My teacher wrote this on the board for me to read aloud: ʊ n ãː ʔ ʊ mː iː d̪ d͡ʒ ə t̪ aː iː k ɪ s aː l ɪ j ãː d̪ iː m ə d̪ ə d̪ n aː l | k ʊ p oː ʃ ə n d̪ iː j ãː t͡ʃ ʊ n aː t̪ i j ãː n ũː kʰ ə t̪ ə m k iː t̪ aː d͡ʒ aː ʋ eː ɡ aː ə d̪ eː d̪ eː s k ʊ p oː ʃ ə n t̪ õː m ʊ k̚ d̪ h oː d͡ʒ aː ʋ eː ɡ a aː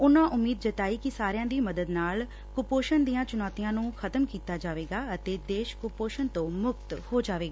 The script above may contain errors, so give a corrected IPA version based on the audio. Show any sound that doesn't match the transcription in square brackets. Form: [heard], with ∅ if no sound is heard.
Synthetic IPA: ʊ n ãː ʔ ʊ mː iː d̪ d͡ʒ ə t̪ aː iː k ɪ s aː [ɾ] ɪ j ãː d̪ iː m ə d̪ ə d̪ n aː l | k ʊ p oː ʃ ə n d̪ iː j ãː t͡ʃ ʊ n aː t̪ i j ãː n ũː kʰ ə t̪ ə m k iː t̪ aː d͡ʒ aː ʋ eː ɡ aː ə [t̪] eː d̪ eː [ʃ] k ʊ p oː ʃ ə n t̪ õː m ʊ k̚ [t̪] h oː d͡ʒ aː ʋ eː ɡ a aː